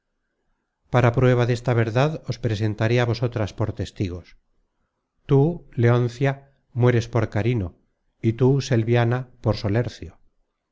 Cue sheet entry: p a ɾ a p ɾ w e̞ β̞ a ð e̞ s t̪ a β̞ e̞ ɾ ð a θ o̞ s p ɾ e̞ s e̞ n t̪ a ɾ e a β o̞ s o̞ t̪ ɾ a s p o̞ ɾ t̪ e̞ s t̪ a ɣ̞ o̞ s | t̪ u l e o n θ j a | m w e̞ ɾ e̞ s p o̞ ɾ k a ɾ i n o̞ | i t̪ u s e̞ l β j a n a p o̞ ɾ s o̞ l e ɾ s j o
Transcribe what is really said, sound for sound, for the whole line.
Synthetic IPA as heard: p a ɾ a p ɾ w e̞ β̞ a ð e̞ s t̪ a β̞ e̞ ɾ ð a ð o̞ s p ɾ e̞ s e̞ n t̪ a ɾ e a β o̞ s o̞ t̪ ɾ a s p o̞ ɾ t̪ e̞ s t̪ i ɣ̞ o̞ s | t̪ u l e o n θ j a | m w e̞ ɾ e̞ s p o̞ ɾ k a ɾ i n o̞ | i t̪ u s e̞ l β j a n a p o̞ ɾ s o̞ l e ɾ θ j o